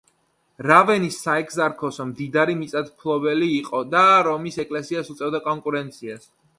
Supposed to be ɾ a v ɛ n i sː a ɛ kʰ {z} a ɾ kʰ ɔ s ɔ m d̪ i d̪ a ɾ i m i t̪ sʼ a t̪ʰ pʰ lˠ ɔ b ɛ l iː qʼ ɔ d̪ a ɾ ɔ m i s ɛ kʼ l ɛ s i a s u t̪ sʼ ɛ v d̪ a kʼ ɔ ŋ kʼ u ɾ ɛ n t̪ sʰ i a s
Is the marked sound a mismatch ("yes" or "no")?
no